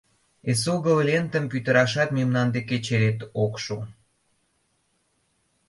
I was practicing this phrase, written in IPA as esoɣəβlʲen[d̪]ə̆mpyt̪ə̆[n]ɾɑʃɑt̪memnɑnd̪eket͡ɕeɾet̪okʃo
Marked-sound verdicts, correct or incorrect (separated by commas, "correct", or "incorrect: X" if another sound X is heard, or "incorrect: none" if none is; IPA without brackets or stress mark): incorrect: t̪, incorrect: none